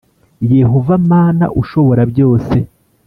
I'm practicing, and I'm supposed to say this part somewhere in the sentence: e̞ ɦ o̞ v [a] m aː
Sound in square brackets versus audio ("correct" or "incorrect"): correct